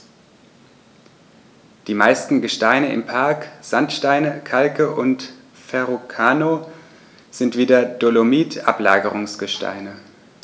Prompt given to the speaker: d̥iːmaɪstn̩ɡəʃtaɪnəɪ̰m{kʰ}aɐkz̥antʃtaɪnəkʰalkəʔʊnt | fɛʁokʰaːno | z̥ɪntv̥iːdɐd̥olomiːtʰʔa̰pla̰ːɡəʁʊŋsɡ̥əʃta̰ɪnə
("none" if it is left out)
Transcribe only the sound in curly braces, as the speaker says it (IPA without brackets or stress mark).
pʰ